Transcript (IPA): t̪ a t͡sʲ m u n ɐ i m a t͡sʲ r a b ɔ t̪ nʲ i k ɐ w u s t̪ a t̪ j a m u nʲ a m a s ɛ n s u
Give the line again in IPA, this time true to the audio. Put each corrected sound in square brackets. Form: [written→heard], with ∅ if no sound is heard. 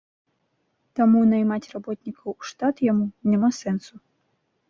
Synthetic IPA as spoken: t̪ a [t͡sʲ→∅] m u n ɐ [i→j] m a t͡sʲ r a b ɔ t̪ nʲ i k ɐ w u [s→ʂ] t̪ a t̪ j a m u nʲ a m a s ɛ n s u